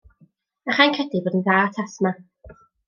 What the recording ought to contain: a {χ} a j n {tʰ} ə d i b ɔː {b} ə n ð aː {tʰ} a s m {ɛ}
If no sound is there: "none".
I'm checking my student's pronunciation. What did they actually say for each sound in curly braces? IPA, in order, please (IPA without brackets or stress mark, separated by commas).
χ, kʰ, d, tʰ, a